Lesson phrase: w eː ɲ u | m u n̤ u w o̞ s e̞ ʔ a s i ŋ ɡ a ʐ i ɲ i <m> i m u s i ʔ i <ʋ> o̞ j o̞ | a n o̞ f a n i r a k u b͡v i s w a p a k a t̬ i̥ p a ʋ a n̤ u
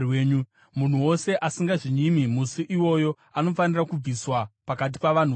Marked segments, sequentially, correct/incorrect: correct, incorrect: w

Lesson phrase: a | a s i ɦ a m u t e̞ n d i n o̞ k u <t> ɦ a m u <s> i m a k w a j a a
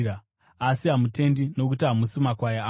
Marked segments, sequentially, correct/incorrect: correct, correct

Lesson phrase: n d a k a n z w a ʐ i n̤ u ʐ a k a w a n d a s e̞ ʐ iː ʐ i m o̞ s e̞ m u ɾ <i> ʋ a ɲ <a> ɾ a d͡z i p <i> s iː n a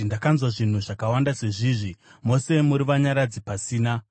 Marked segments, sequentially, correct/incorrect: correct, correct, incorrect: a

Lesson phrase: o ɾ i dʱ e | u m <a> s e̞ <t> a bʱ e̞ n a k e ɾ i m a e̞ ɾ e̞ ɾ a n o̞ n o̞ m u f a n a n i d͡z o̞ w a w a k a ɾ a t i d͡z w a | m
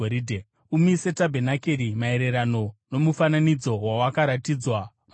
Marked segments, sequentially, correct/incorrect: incorrect: i, correct

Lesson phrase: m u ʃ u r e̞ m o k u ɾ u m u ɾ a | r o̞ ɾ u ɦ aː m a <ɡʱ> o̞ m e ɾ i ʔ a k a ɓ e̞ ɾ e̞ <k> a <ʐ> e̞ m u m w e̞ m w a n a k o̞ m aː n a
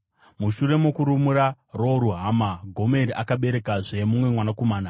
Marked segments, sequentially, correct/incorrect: correct, correct, correct

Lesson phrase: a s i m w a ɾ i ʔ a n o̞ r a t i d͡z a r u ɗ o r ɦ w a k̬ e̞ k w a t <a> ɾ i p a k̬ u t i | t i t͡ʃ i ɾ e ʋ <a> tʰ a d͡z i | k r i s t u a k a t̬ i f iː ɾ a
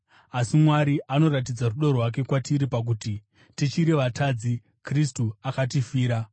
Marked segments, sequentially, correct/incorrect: incorrect: i, correct

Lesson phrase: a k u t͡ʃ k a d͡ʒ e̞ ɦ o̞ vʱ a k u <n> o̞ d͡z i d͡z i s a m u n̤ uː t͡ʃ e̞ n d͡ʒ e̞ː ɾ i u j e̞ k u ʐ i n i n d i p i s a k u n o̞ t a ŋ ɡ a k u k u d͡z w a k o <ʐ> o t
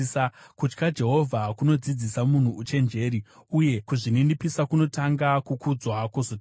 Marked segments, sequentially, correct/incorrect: correct, incorrect: z

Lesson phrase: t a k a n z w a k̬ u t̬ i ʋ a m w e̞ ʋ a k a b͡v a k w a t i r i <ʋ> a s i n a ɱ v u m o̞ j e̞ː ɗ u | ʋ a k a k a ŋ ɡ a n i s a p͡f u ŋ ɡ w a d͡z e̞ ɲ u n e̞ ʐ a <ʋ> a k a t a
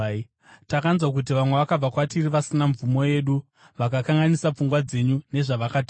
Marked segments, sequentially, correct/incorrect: correct, correct

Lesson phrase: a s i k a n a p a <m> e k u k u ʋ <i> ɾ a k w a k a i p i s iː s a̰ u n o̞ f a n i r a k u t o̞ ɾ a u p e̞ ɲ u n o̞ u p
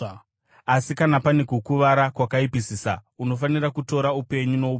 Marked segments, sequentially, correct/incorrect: incorrect: n, incorrect: a

